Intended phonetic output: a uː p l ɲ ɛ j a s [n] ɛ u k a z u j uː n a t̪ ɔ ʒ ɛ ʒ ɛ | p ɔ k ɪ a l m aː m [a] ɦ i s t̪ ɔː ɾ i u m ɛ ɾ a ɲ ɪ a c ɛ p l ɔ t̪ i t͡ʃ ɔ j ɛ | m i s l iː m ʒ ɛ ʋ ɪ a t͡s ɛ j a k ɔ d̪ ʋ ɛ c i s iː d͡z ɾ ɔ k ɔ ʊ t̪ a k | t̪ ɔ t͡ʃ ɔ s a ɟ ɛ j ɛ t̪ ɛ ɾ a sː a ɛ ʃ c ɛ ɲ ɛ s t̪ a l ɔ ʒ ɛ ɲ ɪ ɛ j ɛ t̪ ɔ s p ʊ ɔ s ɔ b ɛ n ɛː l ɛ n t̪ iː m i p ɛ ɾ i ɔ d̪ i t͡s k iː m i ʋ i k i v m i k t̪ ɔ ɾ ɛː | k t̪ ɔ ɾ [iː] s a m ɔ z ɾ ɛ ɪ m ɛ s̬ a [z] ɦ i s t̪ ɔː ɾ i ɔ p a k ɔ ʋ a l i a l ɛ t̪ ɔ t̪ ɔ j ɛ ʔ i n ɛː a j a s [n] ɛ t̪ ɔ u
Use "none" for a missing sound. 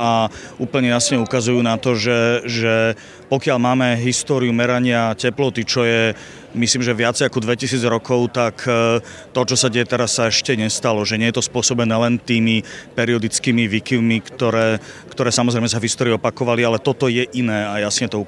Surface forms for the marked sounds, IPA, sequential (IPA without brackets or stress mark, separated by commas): ɲ, ɛ, ɛː, v, ɲ